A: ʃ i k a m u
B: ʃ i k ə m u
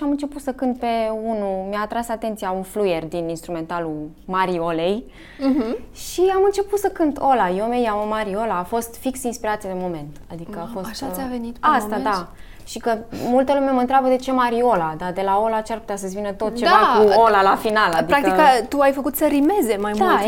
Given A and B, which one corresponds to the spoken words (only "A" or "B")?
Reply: B